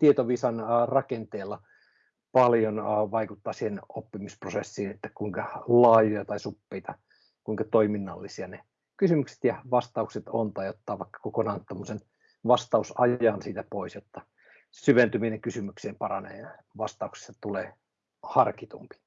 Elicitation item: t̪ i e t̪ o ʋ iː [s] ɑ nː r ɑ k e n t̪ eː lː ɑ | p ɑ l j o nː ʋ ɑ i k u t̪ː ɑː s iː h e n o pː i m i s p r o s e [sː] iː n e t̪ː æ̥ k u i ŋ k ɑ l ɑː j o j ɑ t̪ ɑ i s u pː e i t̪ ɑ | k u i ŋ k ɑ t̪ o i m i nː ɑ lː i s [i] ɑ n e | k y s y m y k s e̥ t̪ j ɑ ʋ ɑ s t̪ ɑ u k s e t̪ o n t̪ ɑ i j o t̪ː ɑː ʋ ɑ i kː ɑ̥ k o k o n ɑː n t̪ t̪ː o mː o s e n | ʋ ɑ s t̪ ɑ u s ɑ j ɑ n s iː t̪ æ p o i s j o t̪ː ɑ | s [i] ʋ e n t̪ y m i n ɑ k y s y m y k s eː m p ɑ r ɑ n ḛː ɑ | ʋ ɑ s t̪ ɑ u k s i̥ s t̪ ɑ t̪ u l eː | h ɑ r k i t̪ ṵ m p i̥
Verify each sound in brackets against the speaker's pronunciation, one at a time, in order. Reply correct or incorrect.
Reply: correct, correct, correct, incorrect: y

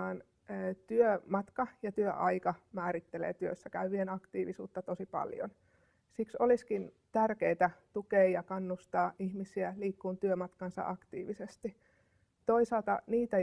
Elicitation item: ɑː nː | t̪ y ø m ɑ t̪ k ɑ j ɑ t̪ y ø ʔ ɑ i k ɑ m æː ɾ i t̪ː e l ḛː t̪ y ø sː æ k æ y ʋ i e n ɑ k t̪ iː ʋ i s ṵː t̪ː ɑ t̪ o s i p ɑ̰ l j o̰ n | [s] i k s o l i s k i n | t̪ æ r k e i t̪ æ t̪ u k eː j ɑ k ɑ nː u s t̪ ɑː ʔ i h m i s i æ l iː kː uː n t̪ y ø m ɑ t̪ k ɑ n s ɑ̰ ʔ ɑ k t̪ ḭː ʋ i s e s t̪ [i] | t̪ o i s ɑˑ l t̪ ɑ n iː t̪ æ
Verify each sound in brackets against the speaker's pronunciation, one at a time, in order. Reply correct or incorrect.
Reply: correct, correct

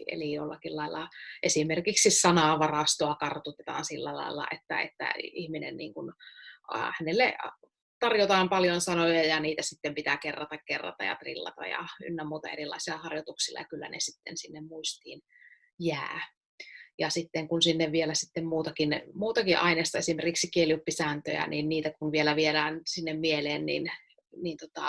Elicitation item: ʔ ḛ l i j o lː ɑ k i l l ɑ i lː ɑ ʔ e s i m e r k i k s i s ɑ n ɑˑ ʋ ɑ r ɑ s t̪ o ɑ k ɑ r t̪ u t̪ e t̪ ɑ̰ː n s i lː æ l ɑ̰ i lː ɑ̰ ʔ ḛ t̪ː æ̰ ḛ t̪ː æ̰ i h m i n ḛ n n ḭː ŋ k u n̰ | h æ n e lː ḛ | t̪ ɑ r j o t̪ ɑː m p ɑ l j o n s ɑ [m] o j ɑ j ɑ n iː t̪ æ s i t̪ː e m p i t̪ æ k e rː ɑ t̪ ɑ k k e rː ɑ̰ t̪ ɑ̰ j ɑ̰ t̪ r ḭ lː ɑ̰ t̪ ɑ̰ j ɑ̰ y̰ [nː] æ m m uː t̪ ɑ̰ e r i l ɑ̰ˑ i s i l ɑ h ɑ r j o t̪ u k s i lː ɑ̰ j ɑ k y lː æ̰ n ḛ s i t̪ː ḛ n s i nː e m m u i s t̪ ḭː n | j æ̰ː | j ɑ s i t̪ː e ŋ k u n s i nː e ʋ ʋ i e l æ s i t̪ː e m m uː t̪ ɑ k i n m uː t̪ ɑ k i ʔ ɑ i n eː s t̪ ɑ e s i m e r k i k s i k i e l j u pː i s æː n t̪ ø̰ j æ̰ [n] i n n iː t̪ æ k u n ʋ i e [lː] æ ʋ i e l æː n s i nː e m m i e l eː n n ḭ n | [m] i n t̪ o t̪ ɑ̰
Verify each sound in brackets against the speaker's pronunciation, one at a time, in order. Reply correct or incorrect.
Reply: incorrect: n, correct, correct, incorrect: l, incorrect: n

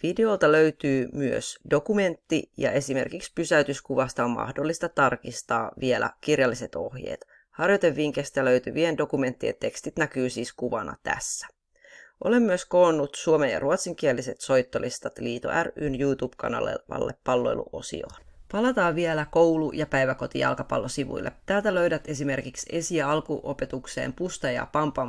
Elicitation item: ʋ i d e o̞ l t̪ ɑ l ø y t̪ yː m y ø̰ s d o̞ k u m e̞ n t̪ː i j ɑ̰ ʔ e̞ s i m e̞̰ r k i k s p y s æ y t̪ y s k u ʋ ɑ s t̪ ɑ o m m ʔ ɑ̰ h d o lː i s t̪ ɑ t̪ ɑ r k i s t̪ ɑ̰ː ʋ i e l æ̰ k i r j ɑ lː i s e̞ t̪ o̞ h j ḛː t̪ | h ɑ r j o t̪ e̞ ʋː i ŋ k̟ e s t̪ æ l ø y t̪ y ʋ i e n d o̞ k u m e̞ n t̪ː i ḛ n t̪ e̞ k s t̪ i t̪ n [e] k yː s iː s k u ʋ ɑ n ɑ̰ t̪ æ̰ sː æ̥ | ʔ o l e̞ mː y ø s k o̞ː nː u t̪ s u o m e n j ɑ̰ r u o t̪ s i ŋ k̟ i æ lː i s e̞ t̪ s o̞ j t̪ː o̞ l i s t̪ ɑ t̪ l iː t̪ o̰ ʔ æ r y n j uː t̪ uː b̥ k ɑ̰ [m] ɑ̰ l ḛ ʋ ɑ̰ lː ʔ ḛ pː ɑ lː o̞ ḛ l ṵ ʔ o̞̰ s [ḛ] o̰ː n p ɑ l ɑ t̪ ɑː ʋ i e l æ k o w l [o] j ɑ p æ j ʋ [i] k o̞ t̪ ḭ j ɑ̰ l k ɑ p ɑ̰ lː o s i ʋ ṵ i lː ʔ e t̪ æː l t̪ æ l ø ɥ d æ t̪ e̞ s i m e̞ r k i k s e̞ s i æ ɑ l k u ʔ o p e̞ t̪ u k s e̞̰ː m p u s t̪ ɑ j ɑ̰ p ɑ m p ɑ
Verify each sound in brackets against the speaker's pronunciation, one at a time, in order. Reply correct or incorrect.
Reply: incorrect: æ, incorrect: n, incorrect: ḭ, incorrect: u, incorrect: æ

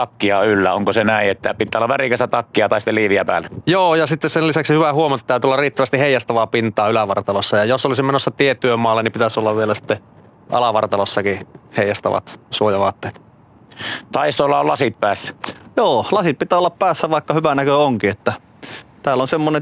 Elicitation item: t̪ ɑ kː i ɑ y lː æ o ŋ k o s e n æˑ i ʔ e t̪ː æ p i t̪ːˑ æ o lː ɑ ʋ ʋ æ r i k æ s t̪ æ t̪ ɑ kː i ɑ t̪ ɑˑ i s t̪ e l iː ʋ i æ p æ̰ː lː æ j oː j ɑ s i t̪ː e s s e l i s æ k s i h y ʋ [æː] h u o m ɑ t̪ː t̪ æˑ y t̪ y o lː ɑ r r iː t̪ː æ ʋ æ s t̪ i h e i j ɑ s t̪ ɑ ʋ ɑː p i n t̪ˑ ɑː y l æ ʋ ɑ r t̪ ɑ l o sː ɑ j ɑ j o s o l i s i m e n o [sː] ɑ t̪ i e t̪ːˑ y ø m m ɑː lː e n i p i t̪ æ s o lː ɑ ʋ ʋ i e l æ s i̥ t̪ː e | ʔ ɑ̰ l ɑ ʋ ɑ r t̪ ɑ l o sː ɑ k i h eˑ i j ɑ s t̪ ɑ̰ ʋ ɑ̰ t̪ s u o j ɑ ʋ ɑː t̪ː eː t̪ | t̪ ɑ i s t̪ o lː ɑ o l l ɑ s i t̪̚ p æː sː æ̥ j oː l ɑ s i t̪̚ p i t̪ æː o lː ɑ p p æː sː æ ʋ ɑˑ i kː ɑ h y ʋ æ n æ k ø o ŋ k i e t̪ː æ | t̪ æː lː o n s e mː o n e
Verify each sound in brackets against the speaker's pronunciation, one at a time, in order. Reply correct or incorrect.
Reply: incorrect: æ, correct

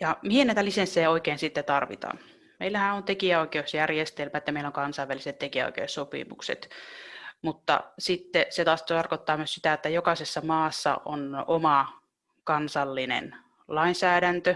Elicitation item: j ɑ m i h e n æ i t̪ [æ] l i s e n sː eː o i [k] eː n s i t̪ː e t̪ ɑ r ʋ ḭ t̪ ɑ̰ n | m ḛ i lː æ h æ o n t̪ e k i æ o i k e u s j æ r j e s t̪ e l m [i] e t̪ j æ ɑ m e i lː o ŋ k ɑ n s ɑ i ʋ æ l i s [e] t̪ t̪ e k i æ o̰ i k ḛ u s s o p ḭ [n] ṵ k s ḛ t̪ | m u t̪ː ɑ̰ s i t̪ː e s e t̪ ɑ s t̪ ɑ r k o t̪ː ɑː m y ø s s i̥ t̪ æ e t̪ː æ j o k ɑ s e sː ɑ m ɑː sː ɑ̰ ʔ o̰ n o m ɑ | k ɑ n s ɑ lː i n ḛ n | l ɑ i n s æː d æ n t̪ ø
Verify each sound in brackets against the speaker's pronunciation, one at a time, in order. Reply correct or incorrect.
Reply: correct, correct, incorrect: æ, correct, incorrect: m

